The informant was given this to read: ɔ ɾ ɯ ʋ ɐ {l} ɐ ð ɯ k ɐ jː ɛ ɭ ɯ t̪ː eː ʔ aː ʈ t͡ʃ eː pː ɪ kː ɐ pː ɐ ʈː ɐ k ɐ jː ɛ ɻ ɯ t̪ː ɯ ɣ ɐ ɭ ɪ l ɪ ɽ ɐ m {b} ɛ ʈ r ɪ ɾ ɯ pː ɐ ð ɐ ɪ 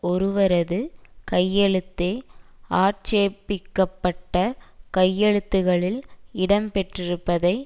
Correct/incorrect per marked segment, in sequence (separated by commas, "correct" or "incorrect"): incorrect, incorrect